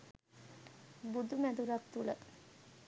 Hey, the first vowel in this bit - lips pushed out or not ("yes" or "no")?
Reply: yes